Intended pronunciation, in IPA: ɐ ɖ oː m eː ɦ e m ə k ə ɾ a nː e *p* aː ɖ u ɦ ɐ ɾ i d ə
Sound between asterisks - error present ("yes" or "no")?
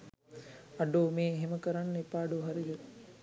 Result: no